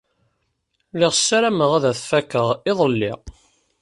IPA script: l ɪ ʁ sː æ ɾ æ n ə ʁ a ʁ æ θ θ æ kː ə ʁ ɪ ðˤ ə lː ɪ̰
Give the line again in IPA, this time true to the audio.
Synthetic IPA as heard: l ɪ ʁ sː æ ɾ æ m ə ʁ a ð æ θ f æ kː ə ʁ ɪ ðˤ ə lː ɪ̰